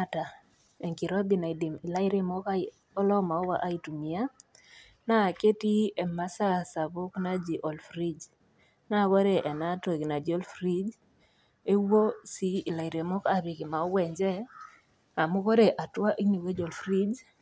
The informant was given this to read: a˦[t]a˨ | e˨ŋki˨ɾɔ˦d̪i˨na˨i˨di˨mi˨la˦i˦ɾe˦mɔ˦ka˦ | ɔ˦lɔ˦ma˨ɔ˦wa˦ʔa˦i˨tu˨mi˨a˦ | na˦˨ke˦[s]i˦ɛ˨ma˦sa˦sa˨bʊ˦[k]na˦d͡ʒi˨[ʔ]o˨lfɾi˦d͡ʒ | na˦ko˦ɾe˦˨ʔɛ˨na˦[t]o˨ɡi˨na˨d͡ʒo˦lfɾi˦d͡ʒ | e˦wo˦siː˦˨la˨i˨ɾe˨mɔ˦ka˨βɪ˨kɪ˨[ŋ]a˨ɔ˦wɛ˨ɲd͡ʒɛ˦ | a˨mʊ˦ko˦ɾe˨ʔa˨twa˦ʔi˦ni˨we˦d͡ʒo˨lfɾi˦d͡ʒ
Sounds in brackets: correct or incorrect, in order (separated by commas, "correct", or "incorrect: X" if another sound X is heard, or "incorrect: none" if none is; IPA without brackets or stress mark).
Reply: correct, incorrect: t, correct, correct, correct, incorrect: m